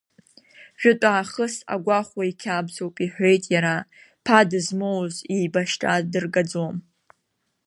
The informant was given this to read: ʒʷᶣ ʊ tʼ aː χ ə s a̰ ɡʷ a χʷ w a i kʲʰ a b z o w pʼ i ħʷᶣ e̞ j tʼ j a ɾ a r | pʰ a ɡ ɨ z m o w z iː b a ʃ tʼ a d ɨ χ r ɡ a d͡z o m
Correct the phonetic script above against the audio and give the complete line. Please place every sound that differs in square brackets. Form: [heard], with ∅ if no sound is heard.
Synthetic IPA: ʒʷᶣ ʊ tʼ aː χ ə s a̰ ɡʷ a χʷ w a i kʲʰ a b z o w pʼ i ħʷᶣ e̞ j tʼ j a ɾ a [∅] | pʰ a [d] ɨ z m o w z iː b a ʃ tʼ a d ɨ [∅] r ɡ a d͡z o m